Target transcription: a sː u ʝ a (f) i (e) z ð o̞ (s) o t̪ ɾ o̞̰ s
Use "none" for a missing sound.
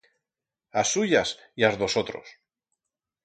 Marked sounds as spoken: s, a, s

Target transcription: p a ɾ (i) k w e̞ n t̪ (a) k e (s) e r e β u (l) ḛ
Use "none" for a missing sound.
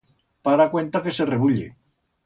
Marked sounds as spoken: a, a, s, ʎ

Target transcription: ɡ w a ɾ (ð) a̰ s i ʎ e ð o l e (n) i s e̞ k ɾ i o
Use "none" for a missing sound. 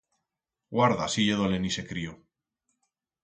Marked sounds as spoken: ð, n

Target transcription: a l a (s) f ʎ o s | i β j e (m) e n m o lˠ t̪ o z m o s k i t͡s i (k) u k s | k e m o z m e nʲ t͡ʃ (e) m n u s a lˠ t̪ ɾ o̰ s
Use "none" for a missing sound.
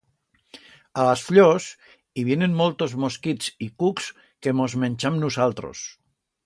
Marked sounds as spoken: s, n, k, a

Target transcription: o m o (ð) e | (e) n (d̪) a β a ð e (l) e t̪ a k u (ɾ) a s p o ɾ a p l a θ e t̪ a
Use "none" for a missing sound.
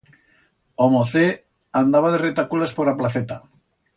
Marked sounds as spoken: θ, a, d̪, r, l

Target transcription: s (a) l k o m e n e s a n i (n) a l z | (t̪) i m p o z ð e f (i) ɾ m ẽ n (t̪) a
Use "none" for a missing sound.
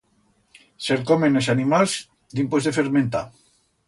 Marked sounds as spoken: e, m, d̪, e, t̪

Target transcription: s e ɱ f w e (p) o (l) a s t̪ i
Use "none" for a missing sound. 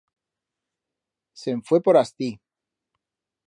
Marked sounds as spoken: p, ɾ

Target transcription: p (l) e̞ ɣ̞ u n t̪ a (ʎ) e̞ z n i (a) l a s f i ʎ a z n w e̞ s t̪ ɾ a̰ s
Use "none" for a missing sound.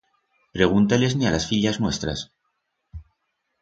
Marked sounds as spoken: ɾ, l, a

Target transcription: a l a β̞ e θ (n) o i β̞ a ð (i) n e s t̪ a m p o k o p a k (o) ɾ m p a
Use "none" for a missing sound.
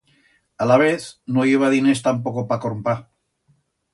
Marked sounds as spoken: n, i, o

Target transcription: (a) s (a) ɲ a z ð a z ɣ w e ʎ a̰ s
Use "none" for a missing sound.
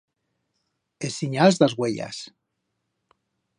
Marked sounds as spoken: e, i

